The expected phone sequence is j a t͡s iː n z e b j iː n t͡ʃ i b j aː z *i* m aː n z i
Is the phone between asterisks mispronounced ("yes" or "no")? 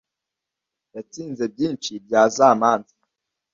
yes